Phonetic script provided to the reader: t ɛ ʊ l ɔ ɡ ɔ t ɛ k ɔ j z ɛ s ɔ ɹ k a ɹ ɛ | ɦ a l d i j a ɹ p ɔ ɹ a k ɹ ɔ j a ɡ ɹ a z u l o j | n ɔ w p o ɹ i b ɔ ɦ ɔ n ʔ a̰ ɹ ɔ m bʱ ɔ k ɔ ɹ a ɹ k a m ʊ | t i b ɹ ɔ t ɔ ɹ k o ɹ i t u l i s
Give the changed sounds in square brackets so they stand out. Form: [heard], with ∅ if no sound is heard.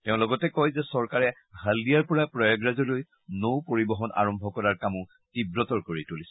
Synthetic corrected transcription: t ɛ [ʊ̃] l ɔ ɡ ɔ t ɛ k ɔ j z ɛ s ɔ ɹ k a ɹ ɛ | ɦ a l d i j a ɹ p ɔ ɹ a [p] ɹ ɔ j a ɡ ɹ a z [ɔ] l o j | n [o] w p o ɹ i b ɔ ɦ ɔ n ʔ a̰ ɹ ɔ m bʱ ɔ k ɔ ɹ a ɹ k a m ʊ | t i b ɹ ɔ t ɔ ɹ k o ɹ i t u l i s